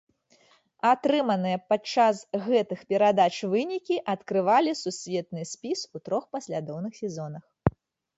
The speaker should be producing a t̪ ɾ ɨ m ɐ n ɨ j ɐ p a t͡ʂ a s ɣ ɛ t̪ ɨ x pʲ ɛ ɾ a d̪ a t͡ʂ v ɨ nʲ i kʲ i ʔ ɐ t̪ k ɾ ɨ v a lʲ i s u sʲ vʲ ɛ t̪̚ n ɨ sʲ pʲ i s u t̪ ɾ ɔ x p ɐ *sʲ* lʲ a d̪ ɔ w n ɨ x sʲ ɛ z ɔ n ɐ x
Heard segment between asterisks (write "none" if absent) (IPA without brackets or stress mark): sʲ